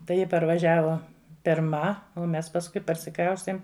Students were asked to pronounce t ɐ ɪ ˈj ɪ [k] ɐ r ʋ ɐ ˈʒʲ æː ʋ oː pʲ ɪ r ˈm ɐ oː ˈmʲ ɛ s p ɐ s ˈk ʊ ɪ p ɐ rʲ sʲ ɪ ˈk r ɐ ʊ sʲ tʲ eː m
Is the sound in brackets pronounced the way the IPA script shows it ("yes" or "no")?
no